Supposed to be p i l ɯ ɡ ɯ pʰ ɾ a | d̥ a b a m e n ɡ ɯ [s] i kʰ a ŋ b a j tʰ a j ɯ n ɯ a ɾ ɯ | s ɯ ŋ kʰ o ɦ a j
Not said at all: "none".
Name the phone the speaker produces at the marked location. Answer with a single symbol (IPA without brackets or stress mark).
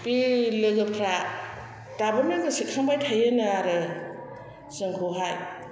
s